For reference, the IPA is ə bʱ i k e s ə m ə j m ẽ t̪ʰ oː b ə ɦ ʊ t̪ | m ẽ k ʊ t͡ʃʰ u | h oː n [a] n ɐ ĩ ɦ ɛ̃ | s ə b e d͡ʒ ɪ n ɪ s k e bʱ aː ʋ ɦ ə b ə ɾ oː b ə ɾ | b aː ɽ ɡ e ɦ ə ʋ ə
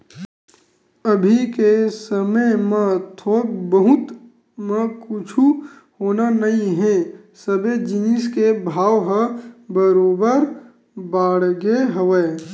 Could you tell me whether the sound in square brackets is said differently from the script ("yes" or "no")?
no